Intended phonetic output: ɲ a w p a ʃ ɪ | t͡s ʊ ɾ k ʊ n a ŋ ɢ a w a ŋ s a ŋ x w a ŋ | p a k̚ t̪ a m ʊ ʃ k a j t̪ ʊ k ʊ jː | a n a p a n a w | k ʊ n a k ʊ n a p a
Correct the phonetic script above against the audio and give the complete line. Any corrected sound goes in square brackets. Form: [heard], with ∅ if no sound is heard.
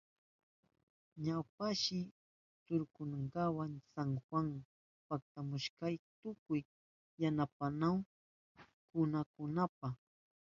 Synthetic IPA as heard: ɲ a w p a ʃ ɪ | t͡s ʊ ɾ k ʊ n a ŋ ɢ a w a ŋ s a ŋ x w a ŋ | p a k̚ t̪ a m ʊ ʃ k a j t̪ ʊ k ʊ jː | a n a p a n a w | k ʊ n a k ʊ n a p a